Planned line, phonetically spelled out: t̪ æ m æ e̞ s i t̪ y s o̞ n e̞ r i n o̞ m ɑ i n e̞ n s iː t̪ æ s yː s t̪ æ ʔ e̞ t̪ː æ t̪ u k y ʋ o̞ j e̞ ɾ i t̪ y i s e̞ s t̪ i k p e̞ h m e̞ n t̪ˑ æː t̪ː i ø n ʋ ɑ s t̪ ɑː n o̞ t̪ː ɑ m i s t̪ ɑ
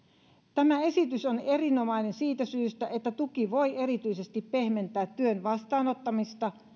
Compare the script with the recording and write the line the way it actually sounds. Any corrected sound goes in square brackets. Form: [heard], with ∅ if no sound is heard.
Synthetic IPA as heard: t̪ æ m æ e̞ s i t̪ y s o̞ n e̞ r i n o̞ m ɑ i n e̞ n s iː t̪ æ s yː s t̪ æ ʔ e̞ t̪ː æ t̪ u k [i] ʋ o̞ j e̞ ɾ i t̪ y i s e̞ s t̪ i [p] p e̞ h m e̞ n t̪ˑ æː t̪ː [y] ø n ʋ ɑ s t̪ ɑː n o̞ t̪ː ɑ m i s t̪ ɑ